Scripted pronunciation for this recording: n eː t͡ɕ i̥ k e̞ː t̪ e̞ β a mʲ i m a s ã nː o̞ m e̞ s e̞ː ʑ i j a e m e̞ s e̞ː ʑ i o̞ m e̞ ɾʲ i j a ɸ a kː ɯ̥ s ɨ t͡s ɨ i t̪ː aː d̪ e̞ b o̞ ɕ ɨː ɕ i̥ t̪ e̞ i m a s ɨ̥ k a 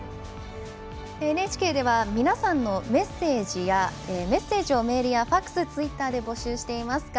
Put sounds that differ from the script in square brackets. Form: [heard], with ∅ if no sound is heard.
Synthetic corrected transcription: n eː t͡ɕ i̥ k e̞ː [d̪] e̞ β a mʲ i [n] a s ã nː o̞ m e̞ s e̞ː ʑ i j a e m e̞ s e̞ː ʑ i o̞ m e̞ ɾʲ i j a ɸ a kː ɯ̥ s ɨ t͡s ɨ i t̪ː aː d̪ e̞ b o̞ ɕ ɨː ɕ i̥ t̪ e̞ i m a s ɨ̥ k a